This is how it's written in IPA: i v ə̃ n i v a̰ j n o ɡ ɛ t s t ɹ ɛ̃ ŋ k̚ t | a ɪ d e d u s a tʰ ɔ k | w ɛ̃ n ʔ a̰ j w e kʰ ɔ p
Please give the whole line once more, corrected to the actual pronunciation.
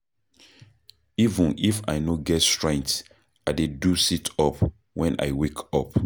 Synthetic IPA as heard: i v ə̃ n i f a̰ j n o ɡ ɛ t s t ɹ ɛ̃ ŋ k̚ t | a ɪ d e d u s i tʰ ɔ p | w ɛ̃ n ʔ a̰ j w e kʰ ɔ p